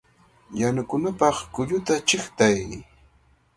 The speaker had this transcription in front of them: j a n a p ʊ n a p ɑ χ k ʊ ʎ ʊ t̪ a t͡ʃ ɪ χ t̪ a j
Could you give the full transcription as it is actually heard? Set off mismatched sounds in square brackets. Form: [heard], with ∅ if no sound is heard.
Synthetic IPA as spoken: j a n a [k] ʊ n a p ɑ χ k ʊ ʎ ʊ t̪ a t͡ʃ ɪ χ t̪ a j

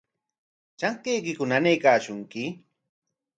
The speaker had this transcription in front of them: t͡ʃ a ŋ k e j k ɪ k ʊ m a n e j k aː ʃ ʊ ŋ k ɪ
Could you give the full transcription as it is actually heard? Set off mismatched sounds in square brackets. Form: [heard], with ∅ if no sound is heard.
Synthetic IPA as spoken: t͡ʃ a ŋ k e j k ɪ k ʊ [n] a n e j k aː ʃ ʊ ŋ k ɪ

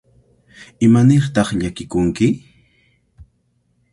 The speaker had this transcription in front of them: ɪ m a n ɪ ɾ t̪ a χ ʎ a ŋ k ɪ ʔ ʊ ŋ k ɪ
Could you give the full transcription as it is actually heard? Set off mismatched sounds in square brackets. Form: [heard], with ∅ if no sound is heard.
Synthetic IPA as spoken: ɪ m a n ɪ ɾ t̪ [ɑ] χ ʎ a [∅] k ɪ [k] ʊ ŋ k ɪ

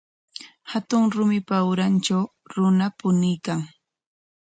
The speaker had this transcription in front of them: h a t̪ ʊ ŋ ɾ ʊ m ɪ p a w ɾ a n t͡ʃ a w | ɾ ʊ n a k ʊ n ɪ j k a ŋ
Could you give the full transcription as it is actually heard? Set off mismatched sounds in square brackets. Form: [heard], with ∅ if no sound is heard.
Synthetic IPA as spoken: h a t̪ ʊ ŋ ɾ ʊ m ɪ p a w ɾ a n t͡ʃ a w | ɾ ʊ n a [p] ʊ n ɪ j k a ŋ

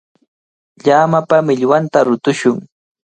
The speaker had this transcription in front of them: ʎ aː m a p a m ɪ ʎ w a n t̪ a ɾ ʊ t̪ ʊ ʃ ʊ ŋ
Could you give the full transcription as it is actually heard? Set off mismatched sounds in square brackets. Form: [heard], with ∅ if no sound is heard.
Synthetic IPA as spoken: ʎ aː m a p a m ɪ ʎ w a n t̪ a ɾ ʊ t̪ ʊ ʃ ʊ ŋ

